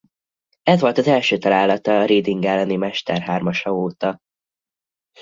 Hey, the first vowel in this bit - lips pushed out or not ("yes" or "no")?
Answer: no